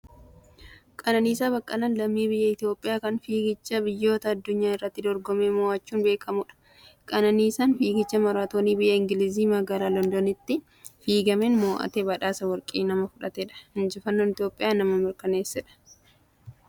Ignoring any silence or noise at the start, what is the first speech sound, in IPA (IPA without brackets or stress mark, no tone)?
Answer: kʼ